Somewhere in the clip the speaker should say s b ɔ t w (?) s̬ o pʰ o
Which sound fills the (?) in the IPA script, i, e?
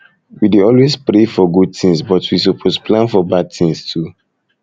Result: i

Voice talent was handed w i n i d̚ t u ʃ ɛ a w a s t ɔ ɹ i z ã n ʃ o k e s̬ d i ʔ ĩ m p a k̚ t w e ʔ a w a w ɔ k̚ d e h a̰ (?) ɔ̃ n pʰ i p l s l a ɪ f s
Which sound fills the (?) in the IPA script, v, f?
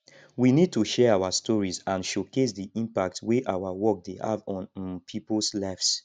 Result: v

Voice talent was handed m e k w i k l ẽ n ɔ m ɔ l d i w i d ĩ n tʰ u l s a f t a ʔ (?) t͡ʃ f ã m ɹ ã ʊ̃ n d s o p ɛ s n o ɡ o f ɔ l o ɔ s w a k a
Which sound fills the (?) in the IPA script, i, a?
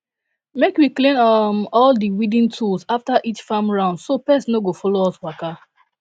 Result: i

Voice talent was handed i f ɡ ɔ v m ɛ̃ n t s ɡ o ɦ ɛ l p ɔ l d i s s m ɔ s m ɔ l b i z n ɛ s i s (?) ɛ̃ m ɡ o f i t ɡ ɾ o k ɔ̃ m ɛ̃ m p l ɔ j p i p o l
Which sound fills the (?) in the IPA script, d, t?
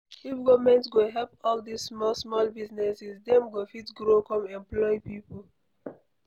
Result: d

